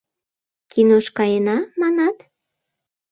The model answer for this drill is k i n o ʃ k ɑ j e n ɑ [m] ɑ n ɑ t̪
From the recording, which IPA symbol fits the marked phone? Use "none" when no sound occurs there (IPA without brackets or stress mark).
m